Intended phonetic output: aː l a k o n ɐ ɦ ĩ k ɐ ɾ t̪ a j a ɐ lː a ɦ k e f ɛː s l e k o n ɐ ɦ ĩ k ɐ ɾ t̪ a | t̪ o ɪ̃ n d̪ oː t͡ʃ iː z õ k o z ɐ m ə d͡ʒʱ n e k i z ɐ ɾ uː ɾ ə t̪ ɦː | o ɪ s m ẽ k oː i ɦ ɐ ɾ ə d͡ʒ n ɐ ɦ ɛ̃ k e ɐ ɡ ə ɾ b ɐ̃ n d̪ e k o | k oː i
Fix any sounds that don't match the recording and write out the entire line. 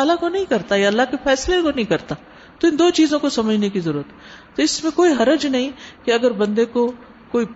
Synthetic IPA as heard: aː l a k o n ɐ ɦ ĩ k ɐ ɾ t̪ a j a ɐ lː a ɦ k e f ɛː s l e k o n ɐ ɦ ĩ k ɐ ɾ t̪ a | t̪ o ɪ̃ n d̪ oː t͡ʃ iː z õ k o s ɐ m ə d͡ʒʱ n e k i z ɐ ɾ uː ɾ ə t̪ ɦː | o ɪ s m ẽ k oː i ɦ ɐ ɾ ə d͡ʒ n ɐ ɦ ĩ k e ɐ ɡ ə ɾ b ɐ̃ n d̪ e k o | k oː i